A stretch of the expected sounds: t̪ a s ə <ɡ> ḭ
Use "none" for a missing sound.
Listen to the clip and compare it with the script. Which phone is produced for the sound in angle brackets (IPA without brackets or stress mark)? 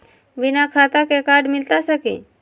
k